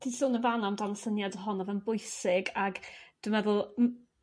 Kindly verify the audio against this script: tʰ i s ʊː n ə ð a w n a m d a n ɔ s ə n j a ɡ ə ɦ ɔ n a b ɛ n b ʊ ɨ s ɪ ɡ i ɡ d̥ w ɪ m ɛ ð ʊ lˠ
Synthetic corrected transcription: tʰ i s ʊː n ə v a n a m d a n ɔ s ə n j a d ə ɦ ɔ n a v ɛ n b ʊ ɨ s ɪ ɡ a ɡ d̥ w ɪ m ɛ ð ʊ lˠ

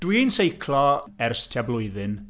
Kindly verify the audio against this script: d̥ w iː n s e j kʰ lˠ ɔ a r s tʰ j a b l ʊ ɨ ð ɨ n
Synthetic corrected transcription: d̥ w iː n s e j kʰ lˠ ɔ ɛ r s tʰ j a b l ʊ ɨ ð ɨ n

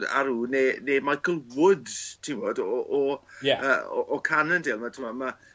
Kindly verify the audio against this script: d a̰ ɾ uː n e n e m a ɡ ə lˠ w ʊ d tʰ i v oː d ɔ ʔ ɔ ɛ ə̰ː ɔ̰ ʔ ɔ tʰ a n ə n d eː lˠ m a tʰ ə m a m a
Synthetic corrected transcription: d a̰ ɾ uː n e n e m a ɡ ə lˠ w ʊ d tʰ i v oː d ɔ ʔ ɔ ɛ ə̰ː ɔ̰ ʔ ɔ kʰ a n ə n d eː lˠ m a tʰ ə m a m a

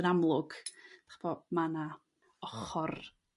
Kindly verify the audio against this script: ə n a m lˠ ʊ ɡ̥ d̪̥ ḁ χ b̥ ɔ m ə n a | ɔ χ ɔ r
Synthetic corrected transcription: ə n a m lˠ ʊ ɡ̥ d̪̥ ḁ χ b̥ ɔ m a n a | ɔ χ ɔ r

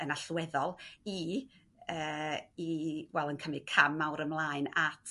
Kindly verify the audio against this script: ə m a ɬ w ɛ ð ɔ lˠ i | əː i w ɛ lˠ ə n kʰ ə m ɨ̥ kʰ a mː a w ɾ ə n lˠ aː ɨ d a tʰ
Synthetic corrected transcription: ə n a ɬ w ɛ ð ɔ lˠ i | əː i w ɛ lˠ ə n kʰ ə m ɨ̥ kʰ a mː a w ɾ ə m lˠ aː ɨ n a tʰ

